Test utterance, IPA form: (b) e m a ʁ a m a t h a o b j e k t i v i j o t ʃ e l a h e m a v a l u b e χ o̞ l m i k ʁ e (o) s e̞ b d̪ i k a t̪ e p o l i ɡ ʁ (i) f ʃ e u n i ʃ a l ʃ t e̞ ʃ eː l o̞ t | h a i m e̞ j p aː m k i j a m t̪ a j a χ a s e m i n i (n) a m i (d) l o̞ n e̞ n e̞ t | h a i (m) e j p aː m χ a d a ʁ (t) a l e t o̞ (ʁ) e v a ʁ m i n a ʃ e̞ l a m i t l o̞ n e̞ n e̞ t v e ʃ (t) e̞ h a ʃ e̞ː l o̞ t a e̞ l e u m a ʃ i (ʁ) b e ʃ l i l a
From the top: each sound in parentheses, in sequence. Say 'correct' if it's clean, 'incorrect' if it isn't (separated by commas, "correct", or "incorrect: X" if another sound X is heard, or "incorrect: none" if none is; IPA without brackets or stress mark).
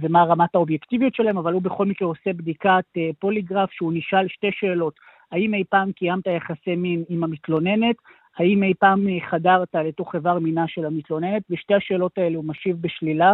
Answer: incorrect: v, correct, incorrect: a, incorrect: m, incorrect: t, correct, correct, incorrect: χ, correct, incorrect: v